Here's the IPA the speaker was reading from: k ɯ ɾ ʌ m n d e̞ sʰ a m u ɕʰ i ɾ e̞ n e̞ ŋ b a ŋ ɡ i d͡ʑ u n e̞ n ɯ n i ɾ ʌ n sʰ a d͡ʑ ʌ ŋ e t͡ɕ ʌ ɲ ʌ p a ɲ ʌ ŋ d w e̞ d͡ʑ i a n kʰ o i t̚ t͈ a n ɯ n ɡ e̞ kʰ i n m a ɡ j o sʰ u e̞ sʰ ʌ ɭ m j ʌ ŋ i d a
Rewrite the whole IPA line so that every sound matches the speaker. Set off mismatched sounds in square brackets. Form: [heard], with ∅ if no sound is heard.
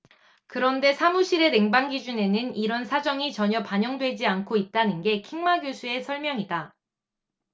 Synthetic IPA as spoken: k ɯ ɾ ʌ [∅] n d e̞ sʰ a m u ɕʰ i ɾ e̞ n e̞ ŋ b a ŋ ɡ i d͡ʑ u n e̞ n ɯ n i ɾ ʌ n sʰ a d͡ʑ ʌ ŋ [i] t͡ɕ ʌ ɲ ʌ p a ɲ ʌ ŋ d w e̞ d͡ʑ i a n kʰ o i t̚ t͈ a n ɯ n ɡ e̞ kʰ i [ŋ] m a ɡ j o sʰ u e̞ sʰ ʌ ɭ m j ʌ ŋ i d a